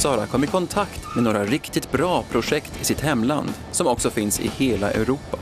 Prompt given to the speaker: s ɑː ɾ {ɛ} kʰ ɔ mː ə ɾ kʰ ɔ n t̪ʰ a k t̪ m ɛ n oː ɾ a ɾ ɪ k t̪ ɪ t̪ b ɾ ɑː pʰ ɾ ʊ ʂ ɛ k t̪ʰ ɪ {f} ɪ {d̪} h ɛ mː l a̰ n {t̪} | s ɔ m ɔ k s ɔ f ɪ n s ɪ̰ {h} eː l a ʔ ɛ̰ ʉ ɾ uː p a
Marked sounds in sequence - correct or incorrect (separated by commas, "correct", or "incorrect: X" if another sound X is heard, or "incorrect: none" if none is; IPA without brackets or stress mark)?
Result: incorrect: a, incorrect: s, incorrect: t̪, incorrect: d̪, correct